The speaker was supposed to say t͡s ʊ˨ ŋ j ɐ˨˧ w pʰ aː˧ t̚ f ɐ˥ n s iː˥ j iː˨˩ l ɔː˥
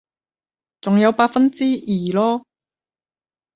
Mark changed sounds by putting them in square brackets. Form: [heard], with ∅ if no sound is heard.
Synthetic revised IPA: t͡s ʊ˨ ŋ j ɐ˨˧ w [p] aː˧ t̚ f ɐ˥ n [t͡s] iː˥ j iː˨˩ l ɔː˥